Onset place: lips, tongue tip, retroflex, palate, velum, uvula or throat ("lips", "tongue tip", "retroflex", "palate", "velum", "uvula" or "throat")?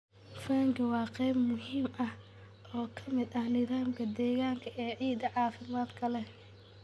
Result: lips